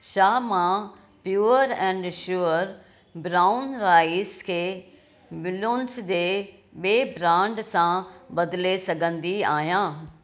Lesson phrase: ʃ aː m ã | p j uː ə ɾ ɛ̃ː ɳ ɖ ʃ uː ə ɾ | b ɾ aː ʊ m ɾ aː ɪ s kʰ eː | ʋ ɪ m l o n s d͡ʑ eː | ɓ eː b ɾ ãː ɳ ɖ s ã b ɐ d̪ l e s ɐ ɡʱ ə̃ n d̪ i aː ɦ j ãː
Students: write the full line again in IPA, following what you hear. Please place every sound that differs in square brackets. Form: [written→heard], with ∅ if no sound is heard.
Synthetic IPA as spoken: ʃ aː m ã | p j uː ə ɾ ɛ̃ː ɳ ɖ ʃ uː ə ɾ | b ɾ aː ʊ [m→n] ɾ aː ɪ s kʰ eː | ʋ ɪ [m→∅] l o n s d͡ʑ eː | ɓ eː b ɾ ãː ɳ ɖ s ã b ɐ d̪ l e s ɐ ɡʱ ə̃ n d̪ i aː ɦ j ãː